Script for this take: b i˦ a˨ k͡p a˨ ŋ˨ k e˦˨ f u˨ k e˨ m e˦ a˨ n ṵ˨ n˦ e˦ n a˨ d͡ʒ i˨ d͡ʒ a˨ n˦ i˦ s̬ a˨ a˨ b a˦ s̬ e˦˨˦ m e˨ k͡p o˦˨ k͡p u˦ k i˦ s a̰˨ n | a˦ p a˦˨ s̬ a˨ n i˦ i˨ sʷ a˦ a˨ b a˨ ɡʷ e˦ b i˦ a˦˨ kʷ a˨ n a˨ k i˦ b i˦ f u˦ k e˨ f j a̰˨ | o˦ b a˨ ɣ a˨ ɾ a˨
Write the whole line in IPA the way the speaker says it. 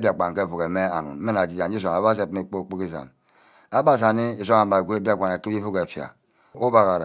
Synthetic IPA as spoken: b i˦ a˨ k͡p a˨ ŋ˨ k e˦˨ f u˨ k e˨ m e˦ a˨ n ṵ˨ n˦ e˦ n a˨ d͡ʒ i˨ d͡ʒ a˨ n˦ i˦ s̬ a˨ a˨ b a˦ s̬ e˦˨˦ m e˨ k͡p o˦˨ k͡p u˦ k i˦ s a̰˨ n | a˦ b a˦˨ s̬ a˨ n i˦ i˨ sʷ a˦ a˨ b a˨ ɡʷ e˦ b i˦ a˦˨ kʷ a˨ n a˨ k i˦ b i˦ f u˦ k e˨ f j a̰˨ | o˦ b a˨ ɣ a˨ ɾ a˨